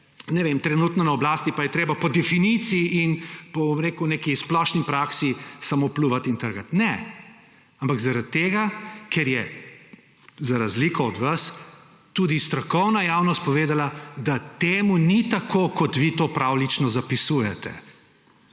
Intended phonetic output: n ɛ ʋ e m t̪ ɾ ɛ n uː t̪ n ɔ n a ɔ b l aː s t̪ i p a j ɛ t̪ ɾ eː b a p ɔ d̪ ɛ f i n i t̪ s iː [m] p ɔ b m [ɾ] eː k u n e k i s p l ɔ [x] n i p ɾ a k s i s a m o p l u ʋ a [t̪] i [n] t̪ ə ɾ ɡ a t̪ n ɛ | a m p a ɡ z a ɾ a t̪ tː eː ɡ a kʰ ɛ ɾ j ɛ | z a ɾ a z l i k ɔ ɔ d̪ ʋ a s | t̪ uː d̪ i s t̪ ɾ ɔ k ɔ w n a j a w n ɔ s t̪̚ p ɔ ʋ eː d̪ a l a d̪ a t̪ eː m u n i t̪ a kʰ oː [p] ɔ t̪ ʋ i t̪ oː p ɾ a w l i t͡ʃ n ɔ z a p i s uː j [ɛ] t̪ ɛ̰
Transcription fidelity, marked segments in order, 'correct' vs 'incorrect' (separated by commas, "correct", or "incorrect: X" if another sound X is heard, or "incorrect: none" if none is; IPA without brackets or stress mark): incorrect: n, correct, incorrect: ʃ, correct, correct, incorrect: k, correct